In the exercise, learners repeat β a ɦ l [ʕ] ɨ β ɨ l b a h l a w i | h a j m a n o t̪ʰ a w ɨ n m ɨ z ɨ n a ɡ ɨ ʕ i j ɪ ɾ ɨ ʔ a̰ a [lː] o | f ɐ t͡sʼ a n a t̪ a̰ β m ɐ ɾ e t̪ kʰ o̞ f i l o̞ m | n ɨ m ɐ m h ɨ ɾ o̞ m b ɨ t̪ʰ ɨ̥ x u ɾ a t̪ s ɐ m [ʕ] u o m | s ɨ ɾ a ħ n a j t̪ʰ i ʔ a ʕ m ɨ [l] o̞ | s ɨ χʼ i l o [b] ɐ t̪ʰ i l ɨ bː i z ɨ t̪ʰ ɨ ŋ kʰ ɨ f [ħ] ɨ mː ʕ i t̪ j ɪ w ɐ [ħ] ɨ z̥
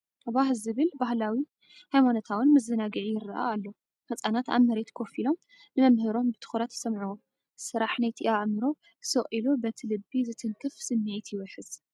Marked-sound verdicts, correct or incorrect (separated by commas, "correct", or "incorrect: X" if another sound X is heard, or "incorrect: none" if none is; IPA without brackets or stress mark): incorrect: z, correct, correct, incorrect: ɾ, correct, incorrect: s, correct